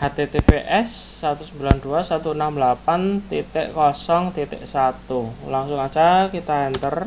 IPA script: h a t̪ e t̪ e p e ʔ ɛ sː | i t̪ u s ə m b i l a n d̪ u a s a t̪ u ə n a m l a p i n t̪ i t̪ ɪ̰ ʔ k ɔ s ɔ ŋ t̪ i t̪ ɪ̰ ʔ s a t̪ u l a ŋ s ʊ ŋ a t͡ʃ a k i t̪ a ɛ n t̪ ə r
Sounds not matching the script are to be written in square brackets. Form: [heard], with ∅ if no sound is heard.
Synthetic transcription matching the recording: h a t̪ e t̪ e p e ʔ ɛ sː | [a] t̪ u s ə m b i l a n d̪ u a s a t̪ u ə n a m l a p [a] n t̪ i t̪ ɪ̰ ʔ k ɔ s ɔ ŋ t̪ i t̪ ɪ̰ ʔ s a t̪ u l a ŋ s ʊ ŋ a t͡ʃ a k i t̪ a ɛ n t̪ ə r